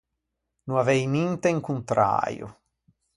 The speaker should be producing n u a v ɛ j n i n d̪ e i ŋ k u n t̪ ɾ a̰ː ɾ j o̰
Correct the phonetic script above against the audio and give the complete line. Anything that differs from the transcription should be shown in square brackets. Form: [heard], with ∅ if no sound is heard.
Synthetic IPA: n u a v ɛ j n i n [t̪] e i ŋ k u n t̪ ɾ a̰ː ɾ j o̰